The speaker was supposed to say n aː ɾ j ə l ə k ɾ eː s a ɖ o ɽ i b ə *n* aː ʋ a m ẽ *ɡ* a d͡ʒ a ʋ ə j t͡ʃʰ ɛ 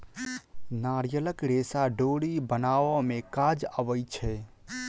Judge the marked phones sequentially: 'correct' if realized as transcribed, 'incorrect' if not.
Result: correct, incorrect: k

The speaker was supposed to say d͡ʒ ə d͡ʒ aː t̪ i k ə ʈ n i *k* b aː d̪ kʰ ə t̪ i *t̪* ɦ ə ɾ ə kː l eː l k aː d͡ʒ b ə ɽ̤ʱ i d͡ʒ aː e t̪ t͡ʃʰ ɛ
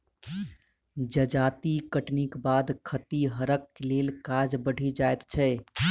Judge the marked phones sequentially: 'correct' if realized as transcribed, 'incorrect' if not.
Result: correct, incorrect: none

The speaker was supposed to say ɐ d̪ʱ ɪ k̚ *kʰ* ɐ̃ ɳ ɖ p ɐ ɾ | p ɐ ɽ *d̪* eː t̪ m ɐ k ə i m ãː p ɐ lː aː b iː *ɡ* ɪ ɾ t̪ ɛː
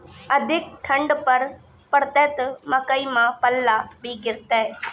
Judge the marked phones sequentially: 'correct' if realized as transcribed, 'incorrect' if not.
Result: incorrect: ʈʰ, incorrect: t̪, correct

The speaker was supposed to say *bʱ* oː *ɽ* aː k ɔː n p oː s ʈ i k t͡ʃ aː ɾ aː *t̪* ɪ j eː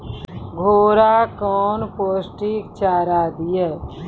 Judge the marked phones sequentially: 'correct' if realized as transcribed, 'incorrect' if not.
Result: incorrect: ɡʱ, incorrect: ɾ, incorrect: d̪

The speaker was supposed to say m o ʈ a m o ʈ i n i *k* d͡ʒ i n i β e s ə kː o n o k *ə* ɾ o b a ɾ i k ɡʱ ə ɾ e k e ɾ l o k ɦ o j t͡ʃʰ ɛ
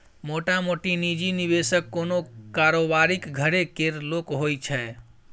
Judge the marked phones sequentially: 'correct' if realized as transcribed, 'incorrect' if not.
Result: incorrect: none, incorrect: a

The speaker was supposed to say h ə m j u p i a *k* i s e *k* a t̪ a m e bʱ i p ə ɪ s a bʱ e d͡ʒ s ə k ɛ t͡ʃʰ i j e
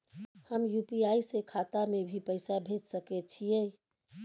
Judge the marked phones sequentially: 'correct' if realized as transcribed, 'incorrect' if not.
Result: incorrect: none, incorrect: kʰ

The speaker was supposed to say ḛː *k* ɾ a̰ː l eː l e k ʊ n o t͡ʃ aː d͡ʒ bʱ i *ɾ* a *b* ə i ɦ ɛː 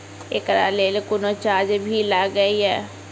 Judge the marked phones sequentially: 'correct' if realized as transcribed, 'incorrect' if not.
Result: correct, incorrect: l, incorrect: ɡ

